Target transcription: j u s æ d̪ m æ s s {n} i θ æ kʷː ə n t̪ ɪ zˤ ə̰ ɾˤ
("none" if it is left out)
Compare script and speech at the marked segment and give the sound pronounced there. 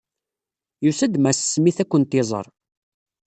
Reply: m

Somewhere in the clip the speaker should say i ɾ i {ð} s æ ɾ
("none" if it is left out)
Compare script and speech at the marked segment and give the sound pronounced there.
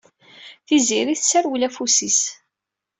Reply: θ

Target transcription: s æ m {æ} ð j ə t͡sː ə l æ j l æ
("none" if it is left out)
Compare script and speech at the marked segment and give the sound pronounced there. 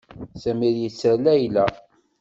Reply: i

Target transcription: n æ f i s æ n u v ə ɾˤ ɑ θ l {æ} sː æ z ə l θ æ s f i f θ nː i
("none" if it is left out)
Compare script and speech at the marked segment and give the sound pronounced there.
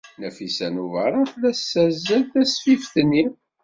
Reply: æ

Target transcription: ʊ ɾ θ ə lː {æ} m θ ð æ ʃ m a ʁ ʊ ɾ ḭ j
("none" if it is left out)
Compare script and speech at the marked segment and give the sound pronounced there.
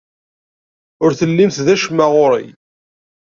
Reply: i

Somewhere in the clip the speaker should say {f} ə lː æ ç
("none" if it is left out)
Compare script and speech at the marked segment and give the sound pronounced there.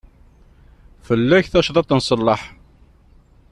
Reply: f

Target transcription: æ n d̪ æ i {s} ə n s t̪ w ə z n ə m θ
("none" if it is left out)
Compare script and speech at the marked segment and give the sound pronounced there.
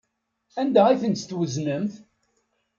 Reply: θ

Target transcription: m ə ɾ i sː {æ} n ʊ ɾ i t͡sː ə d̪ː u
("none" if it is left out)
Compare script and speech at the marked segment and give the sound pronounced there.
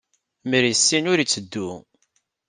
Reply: i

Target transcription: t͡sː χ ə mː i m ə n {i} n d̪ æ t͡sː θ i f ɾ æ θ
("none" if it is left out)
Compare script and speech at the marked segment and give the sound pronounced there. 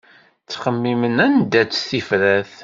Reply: æ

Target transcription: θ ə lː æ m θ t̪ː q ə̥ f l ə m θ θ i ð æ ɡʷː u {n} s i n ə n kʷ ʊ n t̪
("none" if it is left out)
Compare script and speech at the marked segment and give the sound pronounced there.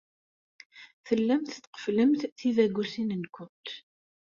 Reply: none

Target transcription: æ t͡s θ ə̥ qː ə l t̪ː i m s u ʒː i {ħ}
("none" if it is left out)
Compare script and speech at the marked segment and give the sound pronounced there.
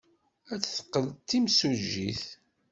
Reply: θ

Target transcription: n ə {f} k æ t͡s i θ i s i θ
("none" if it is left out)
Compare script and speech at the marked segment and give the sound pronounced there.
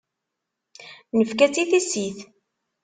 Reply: f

